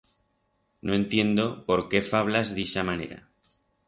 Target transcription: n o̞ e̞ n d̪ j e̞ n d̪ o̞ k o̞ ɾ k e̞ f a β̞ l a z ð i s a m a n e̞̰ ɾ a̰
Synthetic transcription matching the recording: n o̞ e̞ n t̪ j e̞ n d̪ o̞ p o̞ ɾ k e̞ f a β̞ l a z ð i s a m a n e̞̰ ɾ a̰